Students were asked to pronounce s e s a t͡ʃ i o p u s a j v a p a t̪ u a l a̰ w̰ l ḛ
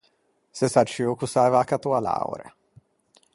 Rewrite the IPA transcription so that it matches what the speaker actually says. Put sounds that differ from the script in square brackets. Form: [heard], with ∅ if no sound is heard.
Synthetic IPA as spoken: s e s a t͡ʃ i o [k] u s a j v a [k] a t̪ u a l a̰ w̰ [ɾ] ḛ